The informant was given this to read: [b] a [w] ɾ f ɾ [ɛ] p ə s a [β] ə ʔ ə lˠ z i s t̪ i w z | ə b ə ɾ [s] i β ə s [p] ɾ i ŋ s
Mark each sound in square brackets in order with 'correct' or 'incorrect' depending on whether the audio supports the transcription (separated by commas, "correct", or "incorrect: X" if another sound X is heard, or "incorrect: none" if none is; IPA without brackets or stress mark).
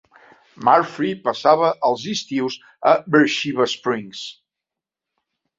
incorrect: m, incorrect: none, incorrect: i, correct, incorrect: ʃ, correct